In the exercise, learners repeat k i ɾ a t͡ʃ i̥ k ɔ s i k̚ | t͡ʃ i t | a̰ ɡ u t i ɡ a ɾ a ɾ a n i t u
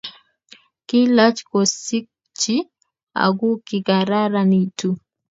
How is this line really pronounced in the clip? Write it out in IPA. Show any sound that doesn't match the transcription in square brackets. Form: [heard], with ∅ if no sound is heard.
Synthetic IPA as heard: k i [l] a t͡ʃ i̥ k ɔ s i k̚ | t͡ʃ i [∅] | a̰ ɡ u [k] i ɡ a ɾ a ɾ a n i t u